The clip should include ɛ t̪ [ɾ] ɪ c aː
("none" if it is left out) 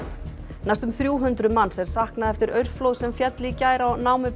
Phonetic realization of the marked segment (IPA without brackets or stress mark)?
l